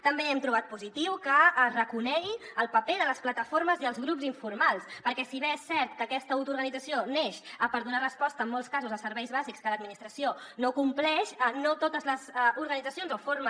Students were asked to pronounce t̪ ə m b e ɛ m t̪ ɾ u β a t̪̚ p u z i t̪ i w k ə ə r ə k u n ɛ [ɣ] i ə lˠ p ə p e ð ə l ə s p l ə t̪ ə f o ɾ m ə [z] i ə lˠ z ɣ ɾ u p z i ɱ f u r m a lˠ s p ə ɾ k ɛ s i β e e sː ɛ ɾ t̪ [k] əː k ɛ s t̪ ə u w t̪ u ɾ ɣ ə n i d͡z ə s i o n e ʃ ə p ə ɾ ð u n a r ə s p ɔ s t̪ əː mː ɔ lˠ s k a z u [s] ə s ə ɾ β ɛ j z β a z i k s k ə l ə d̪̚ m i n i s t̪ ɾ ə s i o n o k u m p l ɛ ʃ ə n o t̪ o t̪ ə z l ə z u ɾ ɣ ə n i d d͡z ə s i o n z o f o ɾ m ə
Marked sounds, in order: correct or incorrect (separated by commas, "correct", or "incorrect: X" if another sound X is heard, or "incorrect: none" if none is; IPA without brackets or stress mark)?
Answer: correct, correct, correct, incorrect: z